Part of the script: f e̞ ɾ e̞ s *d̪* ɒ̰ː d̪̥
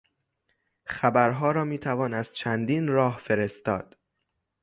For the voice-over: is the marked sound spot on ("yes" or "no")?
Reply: no